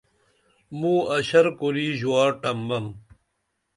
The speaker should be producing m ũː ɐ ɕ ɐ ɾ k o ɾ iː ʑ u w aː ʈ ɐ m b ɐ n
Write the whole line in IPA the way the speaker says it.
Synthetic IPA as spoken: m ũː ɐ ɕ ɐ ɾ k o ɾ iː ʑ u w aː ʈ ɐ m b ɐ m